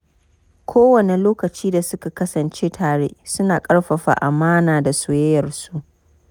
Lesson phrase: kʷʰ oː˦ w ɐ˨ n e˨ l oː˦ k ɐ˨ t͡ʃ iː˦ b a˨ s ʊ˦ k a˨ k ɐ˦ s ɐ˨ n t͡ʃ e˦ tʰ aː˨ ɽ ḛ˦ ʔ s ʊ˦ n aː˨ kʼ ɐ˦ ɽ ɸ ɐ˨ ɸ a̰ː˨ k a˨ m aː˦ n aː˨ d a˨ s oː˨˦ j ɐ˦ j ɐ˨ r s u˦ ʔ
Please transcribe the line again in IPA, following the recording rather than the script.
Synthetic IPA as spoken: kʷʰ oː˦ w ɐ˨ n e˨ l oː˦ k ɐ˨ t͡ʃ iː˦ d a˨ s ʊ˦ k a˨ k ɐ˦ s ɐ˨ n t͡ʃ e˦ tʰ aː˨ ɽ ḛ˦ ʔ s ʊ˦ n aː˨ kʼ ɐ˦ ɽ ɸ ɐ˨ ɸ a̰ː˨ ʔ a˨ m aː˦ n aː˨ d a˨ s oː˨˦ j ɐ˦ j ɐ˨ r s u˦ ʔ

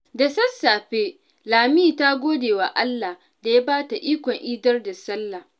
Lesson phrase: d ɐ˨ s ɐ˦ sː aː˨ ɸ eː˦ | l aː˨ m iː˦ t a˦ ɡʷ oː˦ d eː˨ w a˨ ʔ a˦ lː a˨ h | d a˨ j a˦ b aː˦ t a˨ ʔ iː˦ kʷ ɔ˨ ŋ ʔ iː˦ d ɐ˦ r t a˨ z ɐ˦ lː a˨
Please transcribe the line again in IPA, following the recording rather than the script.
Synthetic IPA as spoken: d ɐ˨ s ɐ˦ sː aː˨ ɸ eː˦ | l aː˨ m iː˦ t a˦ ɡʷ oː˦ d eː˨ w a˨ ʔ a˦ lː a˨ h | d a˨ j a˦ b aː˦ t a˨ ʔ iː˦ kʷ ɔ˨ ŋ ʔ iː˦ d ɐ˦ r d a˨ s ɐ˦ lː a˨

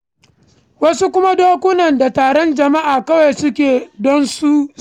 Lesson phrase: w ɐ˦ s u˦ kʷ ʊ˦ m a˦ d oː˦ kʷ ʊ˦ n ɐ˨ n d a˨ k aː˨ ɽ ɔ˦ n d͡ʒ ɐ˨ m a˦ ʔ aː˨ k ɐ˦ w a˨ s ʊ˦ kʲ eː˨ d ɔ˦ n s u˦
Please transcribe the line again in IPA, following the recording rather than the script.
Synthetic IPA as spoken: w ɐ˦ s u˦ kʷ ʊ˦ m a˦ d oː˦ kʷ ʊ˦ n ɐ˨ n d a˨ t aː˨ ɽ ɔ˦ n d͡ʒ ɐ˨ m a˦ ʔ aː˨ k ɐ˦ w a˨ s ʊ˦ kʲ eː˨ d ɔ˦ n s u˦

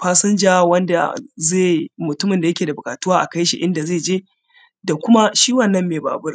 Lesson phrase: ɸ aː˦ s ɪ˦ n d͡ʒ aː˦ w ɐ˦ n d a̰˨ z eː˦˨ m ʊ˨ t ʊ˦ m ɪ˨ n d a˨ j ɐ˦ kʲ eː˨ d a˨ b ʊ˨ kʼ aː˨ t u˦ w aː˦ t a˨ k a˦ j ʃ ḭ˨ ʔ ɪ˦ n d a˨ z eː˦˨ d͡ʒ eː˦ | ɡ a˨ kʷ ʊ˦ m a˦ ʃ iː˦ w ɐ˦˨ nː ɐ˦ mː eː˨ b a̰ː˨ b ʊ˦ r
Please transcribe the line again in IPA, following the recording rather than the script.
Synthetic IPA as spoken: ɸ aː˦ s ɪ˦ n d͡ʒ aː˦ w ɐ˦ n d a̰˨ z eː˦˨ m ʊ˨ t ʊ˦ m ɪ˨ n d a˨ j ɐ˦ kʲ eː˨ d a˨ b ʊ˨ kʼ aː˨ t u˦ w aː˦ ʔ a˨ k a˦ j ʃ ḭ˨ ʔ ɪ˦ n d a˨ z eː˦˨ d͡ʒ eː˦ | d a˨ kʷ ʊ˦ m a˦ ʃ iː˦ w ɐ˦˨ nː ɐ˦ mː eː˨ b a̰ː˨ b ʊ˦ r

